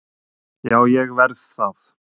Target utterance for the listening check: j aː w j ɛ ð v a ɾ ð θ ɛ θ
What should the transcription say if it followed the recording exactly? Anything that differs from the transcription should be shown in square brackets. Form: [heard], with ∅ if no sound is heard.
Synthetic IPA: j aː w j ɛ [ɣ] v [ɛ] ɾ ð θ [a] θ